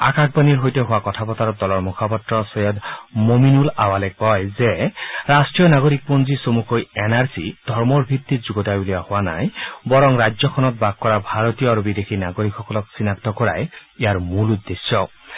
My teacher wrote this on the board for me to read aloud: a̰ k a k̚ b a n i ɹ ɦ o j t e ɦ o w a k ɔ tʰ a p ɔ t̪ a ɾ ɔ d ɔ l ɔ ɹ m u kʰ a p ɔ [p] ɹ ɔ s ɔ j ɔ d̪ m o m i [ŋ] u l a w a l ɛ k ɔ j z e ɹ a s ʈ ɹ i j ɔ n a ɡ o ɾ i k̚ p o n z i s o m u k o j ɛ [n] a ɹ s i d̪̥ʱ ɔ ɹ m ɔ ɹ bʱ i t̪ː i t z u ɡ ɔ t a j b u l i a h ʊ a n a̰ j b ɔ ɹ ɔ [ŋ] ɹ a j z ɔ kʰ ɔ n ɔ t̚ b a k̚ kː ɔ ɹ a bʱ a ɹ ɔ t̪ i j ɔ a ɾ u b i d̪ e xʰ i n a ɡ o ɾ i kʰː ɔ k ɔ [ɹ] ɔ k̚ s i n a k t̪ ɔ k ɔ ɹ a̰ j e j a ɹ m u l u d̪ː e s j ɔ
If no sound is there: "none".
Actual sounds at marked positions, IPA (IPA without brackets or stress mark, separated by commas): t, n, n, ŋ, l